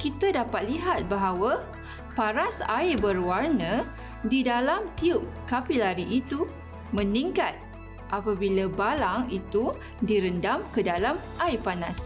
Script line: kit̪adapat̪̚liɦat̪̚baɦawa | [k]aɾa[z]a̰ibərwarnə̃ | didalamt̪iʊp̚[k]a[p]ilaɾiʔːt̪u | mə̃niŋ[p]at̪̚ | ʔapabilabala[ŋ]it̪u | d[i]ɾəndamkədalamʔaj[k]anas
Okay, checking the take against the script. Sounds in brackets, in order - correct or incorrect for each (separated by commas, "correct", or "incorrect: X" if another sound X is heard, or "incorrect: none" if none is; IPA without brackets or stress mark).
incorrect: p, incorrect: s, correct, correct, incorrect: k, correct, correct, incorrect: p